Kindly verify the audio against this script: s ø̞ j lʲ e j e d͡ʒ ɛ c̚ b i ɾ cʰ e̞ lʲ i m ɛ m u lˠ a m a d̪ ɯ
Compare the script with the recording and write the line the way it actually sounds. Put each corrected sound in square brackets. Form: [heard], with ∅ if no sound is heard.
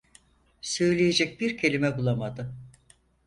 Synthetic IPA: s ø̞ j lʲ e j e d͡ʒ ɛ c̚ b i ɾ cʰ e̞ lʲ i m ɛ [b] u lˠ a m a d̪ ɯ